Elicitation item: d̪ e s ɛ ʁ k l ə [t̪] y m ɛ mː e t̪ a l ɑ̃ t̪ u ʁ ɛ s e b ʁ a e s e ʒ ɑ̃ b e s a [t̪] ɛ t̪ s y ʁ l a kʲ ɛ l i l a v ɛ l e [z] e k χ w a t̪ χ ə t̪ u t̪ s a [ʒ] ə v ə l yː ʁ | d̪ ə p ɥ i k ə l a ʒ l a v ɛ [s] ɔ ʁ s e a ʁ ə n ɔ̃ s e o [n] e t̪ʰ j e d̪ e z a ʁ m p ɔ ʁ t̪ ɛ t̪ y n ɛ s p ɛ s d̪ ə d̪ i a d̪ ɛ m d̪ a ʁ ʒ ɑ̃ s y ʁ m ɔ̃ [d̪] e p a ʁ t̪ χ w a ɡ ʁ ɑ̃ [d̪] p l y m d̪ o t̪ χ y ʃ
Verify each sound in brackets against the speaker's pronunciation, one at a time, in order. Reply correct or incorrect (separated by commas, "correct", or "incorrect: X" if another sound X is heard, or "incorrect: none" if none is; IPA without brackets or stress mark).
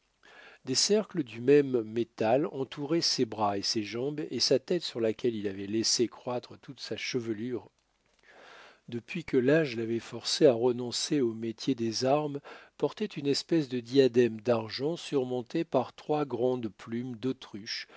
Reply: incorrect: d̪, correct, incorrect: s, incorrect: ʃ, incorrect: f, incorrect: m, incorrect: t̪, correct